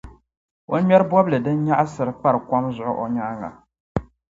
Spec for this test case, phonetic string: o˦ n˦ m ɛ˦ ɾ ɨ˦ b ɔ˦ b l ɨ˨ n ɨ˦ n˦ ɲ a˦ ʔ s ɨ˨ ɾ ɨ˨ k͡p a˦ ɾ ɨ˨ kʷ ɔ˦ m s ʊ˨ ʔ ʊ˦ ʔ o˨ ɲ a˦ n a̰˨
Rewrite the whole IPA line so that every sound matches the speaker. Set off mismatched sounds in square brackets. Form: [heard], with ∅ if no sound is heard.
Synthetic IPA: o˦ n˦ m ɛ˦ ɾ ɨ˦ b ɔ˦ b l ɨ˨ [d] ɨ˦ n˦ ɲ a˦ ʔ s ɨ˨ ɾ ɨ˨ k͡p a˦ ɾ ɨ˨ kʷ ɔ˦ m [z] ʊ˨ ʔ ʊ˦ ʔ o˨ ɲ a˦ [ŋ] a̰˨